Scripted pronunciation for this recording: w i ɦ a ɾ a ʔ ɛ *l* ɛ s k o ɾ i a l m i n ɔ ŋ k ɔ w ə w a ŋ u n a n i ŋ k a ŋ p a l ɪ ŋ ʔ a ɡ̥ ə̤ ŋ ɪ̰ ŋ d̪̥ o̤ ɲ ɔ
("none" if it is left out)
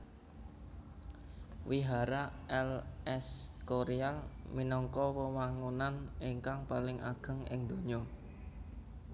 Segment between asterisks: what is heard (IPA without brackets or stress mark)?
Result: l